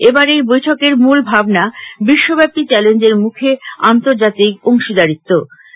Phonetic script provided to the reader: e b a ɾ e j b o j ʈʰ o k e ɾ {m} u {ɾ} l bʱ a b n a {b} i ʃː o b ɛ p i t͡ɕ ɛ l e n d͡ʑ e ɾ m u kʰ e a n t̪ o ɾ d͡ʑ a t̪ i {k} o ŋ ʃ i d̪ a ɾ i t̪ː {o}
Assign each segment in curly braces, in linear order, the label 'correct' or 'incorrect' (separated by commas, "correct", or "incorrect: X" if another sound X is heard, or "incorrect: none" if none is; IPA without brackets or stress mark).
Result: correct, incorrect: none, correct, correct, correct